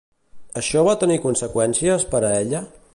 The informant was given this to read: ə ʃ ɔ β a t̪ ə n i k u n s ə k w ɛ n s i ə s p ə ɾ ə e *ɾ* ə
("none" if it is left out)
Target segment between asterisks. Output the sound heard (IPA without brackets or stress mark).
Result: ʎ